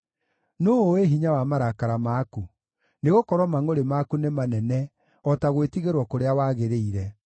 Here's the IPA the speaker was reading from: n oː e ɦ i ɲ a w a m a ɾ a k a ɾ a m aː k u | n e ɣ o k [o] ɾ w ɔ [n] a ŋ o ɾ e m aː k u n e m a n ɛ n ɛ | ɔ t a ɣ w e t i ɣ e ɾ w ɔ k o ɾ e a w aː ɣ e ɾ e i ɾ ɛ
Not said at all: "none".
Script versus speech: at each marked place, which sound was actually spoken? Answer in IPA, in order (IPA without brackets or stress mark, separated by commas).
ɔ, m